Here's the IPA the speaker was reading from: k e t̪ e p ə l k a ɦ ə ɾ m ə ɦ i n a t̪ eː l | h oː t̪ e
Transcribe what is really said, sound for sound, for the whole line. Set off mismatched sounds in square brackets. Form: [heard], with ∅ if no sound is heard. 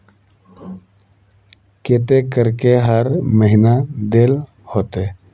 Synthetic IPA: k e t̪ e [k] ə [ɾ] k [e] ɦ ə ɾ m ə ɦ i n a [d̪] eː l | h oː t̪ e